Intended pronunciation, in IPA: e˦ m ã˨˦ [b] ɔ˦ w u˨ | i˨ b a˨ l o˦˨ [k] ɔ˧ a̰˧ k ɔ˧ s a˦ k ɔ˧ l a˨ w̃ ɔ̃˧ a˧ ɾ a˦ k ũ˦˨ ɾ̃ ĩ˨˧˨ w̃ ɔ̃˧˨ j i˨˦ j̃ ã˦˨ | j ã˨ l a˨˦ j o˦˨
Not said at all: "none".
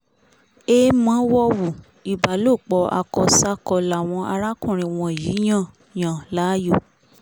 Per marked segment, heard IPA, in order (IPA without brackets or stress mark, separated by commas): w, k͡p